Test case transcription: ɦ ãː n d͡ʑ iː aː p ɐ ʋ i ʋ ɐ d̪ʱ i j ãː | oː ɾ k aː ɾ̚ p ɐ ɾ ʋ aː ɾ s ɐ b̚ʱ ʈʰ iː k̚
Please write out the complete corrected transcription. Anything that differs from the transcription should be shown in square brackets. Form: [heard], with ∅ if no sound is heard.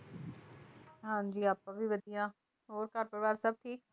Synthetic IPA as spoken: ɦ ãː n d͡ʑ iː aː p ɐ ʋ i ʋ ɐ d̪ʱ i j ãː | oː ɾ k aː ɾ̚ p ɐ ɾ ʋ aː ɾ s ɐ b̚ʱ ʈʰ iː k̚